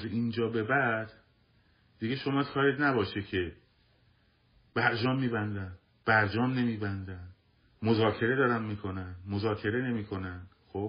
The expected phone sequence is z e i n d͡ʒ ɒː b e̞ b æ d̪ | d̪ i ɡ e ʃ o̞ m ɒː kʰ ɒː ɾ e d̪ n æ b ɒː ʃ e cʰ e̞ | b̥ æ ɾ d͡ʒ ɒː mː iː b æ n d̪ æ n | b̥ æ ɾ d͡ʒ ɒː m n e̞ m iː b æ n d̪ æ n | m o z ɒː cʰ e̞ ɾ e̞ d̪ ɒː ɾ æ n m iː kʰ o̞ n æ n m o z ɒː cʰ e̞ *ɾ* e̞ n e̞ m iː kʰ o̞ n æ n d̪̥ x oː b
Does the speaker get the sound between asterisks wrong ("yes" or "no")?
no